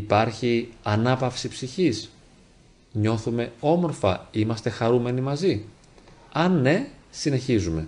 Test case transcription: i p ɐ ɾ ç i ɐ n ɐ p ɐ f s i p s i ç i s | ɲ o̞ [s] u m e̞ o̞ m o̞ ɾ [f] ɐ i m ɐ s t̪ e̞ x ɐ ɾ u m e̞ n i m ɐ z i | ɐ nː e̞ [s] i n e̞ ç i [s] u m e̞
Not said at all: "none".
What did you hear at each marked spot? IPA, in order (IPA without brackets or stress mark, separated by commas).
θ, f, s, z